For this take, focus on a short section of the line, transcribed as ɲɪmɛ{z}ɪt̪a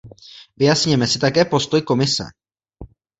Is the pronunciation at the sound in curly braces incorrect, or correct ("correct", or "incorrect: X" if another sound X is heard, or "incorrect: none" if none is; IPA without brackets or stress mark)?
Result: incorrect: s